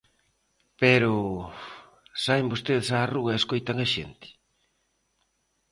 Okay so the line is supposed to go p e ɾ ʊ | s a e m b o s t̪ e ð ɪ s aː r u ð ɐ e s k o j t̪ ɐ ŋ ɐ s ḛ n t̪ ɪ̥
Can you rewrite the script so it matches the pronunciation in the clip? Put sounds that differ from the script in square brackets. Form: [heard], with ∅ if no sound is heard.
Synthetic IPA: p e ɾ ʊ | s a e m b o s t̪ e ð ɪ s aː r u [ɣ] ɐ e s k o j t̪ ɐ ŋ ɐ [ʃ] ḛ n t̪ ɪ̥